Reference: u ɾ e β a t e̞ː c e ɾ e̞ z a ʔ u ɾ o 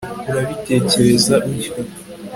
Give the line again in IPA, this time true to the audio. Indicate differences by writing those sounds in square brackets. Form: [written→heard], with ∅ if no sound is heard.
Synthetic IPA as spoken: u ɾ [e→a] β [a→i] t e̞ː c e ɾ e̞ z a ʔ u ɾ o